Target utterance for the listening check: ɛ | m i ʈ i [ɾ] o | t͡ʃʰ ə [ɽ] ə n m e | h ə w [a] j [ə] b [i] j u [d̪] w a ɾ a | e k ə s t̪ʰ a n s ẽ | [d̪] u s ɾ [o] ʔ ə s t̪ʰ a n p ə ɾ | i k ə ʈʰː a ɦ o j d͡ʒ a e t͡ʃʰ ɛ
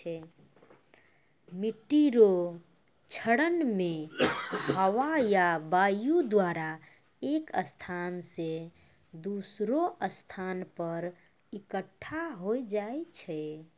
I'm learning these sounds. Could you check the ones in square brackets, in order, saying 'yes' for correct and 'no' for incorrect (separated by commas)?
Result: yes, yes, yes, no, no, yes, yes, yes